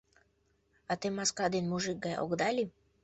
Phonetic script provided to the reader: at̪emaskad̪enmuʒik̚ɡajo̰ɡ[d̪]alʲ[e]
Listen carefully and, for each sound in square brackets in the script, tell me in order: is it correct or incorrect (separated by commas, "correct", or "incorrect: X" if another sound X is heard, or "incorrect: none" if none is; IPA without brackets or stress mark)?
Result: correct, incorrect: i